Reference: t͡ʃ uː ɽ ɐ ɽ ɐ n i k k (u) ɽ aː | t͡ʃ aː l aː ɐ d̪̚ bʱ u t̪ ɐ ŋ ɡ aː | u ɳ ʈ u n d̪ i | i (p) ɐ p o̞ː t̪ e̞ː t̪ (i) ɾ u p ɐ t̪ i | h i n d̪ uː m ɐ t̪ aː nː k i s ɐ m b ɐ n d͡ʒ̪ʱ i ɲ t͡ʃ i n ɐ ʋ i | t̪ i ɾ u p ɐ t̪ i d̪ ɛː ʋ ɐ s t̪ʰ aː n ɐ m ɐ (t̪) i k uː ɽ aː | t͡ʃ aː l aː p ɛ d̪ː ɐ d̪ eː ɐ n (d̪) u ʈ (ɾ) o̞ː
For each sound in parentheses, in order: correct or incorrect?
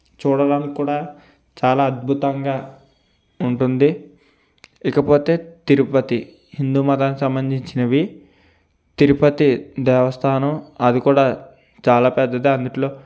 incorrect, incorrect, correct, incorrect, correct, incorrect

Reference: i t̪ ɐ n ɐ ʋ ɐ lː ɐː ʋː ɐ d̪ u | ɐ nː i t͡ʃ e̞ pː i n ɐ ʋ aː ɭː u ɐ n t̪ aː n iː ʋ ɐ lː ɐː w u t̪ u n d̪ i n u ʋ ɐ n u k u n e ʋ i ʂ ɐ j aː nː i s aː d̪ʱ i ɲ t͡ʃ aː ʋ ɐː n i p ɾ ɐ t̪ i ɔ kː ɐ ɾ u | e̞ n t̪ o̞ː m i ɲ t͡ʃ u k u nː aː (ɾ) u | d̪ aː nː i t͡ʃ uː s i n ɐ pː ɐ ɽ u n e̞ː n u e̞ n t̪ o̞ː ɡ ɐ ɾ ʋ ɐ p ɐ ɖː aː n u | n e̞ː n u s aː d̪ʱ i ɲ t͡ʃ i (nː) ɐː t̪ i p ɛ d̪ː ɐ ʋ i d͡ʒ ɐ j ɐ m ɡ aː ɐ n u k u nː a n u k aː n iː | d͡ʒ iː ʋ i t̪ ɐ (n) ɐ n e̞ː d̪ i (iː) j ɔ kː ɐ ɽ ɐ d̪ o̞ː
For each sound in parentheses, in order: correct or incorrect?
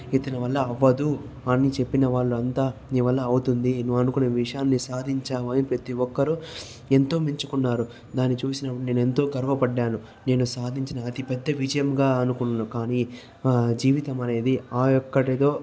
correct, incorrect, incorrect, incorrect

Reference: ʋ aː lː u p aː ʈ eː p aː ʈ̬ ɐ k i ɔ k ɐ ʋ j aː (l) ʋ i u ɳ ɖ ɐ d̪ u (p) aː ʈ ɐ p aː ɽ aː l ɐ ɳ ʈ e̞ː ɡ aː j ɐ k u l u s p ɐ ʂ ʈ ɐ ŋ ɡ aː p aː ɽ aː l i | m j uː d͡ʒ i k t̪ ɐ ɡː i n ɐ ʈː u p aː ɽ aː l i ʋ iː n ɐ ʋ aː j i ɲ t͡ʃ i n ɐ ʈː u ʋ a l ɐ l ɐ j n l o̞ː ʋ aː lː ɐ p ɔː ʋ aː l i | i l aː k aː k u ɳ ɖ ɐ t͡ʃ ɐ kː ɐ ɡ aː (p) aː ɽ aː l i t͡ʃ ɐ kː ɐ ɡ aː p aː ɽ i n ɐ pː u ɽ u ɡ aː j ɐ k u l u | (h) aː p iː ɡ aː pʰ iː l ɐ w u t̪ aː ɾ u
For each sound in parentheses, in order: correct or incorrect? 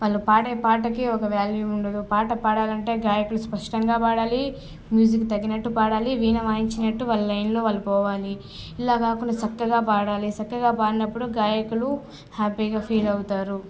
correct, correct, correct, correct

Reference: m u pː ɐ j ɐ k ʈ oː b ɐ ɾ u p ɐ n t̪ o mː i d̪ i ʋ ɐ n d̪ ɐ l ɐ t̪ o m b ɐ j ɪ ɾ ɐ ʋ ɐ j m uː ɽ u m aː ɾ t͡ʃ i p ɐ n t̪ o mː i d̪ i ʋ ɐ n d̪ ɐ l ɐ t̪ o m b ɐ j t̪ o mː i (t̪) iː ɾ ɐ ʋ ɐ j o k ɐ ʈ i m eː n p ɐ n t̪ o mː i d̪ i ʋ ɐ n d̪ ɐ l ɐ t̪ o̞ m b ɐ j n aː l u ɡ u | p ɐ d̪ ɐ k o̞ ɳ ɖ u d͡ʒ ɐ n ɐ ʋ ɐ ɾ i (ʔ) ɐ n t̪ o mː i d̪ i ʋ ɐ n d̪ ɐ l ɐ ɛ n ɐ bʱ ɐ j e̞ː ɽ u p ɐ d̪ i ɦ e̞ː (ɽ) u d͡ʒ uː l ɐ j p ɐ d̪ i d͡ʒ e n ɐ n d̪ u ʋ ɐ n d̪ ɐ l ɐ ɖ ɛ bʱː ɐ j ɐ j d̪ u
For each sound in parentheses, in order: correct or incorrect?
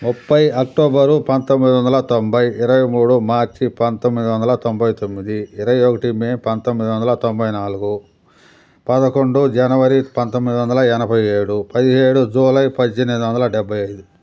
incorrect, incorrect, correct

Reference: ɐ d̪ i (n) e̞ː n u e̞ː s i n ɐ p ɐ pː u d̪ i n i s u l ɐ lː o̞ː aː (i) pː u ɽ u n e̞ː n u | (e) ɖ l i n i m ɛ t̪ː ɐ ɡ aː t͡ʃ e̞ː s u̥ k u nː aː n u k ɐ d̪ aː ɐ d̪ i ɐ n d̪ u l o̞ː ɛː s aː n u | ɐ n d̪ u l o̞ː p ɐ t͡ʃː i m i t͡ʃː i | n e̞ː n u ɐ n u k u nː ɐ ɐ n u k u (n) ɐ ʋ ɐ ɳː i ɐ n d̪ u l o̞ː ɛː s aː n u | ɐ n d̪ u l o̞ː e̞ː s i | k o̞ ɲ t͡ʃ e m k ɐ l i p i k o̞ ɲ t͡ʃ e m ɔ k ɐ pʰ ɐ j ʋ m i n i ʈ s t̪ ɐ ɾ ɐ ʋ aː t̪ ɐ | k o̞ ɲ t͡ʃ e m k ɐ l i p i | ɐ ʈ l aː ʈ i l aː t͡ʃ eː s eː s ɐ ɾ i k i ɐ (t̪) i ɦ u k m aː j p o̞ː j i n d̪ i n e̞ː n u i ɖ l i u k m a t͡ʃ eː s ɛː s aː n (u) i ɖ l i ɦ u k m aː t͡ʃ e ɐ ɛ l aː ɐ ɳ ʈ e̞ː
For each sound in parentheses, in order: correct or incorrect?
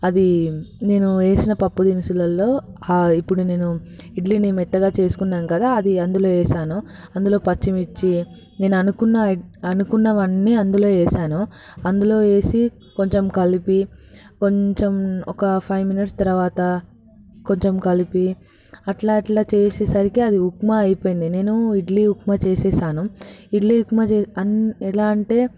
correct, correct, incorrect, incorrect, incorrect, correct

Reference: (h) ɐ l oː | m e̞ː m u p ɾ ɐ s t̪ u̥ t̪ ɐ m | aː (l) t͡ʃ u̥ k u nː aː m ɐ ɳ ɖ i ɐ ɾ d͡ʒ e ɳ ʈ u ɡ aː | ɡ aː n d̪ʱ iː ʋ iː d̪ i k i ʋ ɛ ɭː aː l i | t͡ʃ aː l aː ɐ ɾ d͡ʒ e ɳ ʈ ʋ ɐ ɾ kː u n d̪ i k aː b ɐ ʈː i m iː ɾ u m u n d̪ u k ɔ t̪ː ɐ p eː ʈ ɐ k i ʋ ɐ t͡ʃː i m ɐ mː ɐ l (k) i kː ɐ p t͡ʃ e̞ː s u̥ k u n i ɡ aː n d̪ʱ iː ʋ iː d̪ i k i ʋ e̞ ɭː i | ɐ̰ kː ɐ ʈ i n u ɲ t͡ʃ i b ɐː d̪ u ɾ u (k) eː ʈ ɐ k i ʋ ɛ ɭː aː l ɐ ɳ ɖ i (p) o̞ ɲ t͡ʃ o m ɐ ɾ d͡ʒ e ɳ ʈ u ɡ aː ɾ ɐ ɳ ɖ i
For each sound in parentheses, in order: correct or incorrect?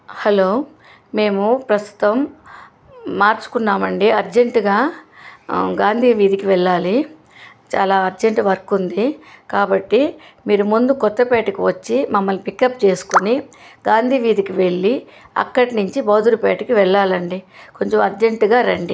correct, incorrect, incorrect, incorrect, incorrect

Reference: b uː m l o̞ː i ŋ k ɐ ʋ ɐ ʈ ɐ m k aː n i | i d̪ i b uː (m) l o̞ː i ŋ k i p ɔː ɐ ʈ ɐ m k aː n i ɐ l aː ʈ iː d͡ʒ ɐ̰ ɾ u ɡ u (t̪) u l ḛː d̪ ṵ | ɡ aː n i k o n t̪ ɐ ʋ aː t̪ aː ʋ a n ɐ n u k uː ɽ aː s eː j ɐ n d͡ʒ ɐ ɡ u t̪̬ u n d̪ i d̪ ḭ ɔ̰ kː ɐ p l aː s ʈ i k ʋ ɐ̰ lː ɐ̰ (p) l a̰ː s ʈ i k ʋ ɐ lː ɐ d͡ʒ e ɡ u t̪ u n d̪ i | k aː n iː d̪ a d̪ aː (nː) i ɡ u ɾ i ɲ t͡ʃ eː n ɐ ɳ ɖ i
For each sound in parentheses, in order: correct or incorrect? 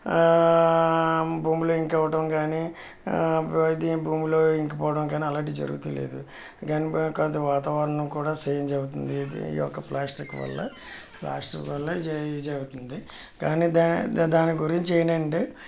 correct, correct, correct, incorrect

